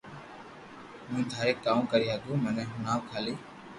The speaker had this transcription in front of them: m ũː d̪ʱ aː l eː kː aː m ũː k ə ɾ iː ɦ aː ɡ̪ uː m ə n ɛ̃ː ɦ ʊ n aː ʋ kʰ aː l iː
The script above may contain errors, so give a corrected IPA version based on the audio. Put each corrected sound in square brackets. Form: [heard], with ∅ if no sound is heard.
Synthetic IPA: m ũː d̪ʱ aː [ɾ] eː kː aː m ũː k ə ɾ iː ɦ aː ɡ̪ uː m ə n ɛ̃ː ɦ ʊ n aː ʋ kʰ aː l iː

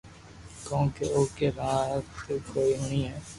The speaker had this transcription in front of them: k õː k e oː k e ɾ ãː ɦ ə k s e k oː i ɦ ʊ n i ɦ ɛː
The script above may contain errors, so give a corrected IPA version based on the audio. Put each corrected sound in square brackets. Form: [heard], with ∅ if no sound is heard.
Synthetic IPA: k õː k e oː k e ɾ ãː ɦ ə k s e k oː i ɦ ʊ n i ɦ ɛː

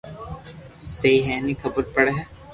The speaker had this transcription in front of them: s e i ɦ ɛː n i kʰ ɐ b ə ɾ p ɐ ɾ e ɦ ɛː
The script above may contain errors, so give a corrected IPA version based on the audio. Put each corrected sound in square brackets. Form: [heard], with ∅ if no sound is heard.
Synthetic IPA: s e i ɦ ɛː n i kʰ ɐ b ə ɾ p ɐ [ɽ] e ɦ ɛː

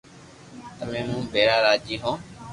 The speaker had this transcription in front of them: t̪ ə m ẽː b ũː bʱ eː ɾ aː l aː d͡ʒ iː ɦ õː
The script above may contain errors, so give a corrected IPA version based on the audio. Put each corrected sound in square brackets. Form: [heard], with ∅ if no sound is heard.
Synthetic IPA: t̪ ə m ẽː [m] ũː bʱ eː ɾ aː [ɾ] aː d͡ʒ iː ɦ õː

